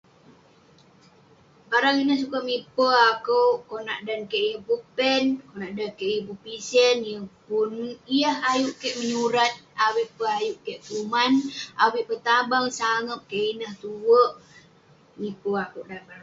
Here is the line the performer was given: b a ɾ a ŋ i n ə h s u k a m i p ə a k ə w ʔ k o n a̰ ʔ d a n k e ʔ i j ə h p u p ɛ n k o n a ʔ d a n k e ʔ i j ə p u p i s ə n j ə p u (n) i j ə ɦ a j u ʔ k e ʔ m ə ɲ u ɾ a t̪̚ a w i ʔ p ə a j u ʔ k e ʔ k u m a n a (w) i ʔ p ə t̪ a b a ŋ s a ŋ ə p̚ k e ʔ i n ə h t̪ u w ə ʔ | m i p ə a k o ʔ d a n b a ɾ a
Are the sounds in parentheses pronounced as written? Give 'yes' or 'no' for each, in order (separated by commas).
yes, yes